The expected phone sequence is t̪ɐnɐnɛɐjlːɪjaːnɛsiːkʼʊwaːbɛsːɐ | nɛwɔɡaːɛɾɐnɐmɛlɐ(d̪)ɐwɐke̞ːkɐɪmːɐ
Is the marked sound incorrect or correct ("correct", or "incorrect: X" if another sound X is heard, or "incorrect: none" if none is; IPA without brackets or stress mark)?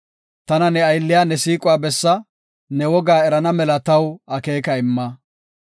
incorrect: t̪